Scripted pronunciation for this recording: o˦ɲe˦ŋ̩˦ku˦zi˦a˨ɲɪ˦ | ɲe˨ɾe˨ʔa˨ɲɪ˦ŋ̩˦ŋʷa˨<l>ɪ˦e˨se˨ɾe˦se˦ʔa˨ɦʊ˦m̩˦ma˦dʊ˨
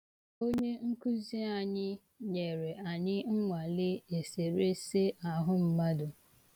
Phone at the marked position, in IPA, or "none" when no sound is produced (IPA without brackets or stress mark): l